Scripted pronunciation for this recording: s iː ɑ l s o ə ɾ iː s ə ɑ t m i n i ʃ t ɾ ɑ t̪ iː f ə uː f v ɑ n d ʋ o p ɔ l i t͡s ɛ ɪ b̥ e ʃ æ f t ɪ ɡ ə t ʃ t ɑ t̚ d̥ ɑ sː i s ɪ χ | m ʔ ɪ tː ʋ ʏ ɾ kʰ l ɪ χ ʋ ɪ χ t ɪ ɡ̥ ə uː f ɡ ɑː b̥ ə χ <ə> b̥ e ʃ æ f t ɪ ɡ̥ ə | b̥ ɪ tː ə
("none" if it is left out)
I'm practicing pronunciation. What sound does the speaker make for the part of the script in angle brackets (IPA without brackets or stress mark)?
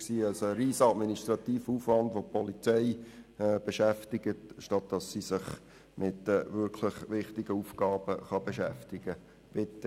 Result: ɑ